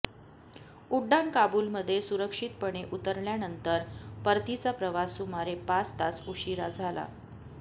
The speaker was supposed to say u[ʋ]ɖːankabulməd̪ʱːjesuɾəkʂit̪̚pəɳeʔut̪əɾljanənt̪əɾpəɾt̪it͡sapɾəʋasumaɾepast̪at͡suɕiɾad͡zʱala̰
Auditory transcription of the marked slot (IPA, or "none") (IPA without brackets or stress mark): none